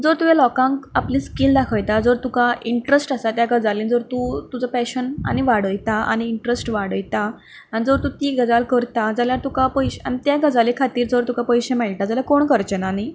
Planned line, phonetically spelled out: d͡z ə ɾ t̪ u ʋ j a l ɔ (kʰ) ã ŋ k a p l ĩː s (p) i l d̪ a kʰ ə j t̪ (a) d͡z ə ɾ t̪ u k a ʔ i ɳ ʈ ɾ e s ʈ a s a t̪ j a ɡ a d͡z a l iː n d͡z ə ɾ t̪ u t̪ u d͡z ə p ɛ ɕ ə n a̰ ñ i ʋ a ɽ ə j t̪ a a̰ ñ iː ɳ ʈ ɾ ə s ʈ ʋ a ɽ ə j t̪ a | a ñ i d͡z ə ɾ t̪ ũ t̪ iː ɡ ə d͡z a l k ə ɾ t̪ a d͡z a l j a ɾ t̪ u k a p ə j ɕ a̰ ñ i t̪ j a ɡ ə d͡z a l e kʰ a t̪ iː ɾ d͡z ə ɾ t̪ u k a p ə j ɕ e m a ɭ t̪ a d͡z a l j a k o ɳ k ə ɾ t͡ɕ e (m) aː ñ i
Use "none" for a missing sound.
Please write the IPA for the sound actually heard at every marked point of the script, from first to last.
k, k, a, n

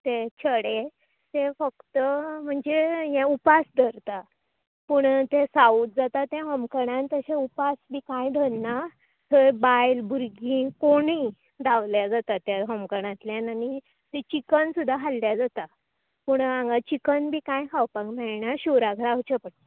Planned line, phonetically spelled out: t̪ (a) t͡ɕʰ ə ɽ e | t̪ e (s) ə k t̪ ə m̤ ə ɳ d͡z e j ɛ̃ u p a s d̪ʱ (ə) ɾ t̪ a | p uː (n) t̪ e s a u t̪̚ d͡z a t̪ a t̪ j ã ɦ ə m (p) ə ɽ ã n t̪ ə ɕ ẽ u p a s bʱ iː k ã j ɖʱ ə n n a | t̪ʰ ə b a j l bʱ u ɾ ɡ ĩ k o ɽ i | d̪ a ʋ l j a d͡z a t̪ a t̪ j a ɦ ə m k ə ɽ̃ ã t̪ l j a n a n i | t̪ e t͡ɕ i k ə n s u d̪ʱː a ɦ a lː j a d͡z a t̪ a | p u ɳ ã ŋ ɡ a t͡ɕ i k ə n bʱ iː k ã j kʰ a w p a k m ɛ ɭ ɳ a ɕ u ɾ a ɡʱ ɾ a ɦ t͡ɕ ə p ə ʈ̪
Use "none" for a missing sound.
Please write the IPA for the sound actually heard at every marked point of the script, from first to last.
e, f, ə, ɳ, k

